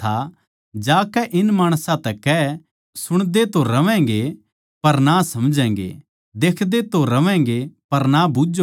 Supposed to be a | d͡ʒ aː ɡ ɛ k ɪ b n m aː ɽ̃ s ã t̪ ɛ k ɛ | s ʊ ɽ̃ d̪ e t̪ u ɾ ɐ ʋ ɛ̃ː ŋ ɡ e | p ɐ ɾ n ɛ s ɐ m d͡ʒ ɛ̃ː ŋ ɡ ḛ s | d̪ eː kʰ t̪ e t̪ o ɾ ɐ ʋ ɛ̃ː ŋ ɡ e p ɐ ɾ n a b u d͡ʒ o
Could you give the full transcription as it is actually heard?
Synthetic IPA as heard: a | d͡ʒ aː k ɛ ʔ ɪ n m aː ɽ̃ s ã t̪ ɛ k ɛ | s ʊ ɽ̃ d̪ e t̪ o ɾ ɐ ʋ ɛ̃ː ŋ ɡ e | p ɐ ɾ n a s ɐ m d͡ʒ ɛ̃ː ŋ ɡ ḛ | d̪ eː kʰ d̪ e t̪ o ɾ ɐ ʋ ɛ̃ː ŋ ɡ e p ɐ ɾ n a b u d͡ʒ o